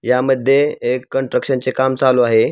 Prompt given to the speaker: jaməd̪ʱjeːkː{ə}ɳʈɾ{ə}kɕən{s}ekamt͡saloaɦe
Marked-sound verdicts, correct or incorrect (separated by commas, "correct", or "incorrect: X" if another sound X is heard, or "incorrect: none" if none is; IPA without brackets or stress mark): correct, correct, incorrect: t͡s